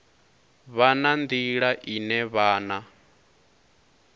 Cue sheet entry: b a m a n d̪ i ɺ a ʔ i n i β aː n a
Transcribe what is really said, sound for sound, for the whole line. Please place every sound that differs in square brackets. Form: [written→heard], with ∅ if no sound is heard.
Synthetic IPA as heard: [b→β] a [m→n] a n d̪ i ɺ a ʔ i n [i→ɛ] β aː n a